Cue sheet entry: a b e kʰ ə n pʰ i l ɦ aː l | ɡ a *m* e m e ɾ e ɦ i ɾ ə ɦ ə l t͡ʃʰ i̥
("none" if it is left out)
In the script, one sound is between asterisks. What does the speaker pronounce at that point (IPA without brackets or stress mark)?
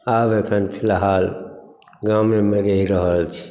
m